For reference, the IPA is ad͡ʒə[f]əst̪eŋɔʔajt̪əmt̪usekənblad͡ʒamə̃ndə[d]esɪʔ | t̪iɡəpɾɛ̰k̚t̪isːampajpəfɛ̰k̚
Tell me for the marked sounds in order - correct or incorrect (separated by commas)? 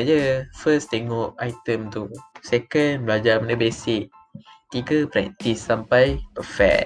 correct, incorrect